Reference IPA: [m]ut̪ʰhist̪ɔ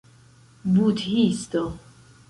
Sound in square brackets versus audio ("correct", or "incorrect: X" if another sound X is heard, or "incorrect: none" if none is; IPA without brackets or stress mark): incorrect: b